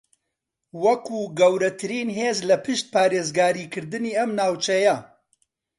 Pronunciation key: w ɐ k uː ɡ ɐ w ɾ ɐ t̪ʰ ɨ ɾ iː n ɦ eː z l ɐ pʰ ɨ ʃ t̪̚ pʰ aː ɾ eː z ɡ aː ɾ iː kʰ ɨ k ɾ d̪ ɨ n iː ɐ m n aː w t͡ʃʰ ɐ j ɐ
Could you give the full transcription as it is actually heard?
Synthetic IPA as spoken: w ɐ k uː ɡ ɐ w ɾ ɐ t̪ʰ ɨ ɾ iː n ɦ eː z l ɐ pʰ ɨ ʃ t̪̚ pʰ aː ɾ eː z ɡ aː ɾ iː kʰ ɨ ɾ d̪ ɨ n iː ɐ m n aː w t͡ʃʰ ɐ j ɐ